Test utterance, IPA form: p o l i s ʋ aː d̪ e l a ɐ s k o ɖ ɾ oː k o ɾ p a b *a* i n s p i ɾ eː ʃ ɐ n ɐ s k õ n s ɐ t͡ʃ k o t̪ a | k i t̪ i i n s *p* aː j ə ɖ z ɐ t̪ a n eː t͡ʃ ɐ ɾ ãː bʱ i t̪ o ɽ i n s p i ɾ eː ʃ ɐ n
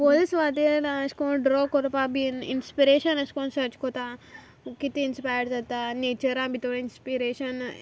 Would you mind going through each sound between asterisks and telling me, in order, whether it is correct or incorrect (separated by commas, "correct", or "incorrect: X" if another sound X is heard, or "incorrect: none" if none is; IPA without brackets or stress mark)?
incorrect: i, correct